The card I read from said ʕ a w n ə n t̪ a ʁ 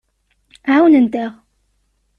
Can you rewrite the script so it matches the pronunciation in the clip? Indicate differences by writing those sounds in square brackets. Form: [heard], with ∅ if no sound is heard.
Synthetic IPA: ʕ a w n ə n t̪ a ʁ